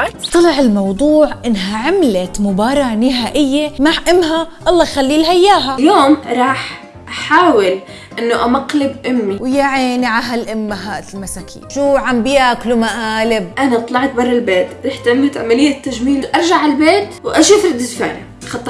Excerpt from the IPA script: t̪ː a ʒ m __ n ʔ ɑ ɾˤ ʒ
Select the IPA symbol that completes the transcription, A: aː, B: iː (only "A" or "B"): B